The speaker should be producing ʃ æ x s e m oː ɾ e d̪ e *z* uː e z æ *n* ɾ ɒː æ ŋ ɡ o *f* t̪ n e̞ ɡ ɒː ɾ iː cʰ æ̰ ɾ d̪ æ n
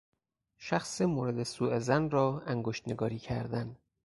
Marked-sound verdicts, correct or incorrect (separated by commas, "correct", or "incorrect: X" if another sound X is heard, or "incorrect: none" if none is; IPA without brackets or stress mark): incorrect: s, correct, incorrect: ʃ